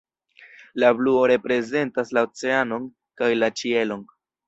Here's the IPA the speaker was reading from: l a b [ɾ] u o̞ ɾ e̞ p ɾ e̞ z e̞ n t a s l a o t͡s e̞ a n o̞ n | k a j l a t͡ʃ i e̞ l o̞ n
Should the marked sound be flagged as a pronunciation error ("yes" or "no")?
yes